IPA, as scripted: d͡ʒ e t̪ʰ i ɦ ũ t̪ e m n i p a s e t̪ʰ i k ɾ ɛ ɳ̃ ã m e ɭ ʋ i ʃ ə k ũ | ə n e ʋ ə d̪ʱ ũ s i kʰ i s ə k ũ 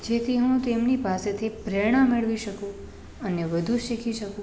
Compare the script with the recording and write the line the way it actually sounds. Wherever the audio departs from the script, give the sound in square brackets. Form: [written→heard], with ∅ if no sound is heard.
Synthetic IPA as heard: d͡ʒ e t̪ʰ i ɦ ũ t̪ e m n i p a s e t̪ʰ i [k→p] ɾ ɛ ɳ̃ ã m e ɭ ʋ i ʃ ə k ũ | ə n e ʋ ə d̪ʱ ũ [s→ʃ] i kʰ i [s→ʃ] ə k ũ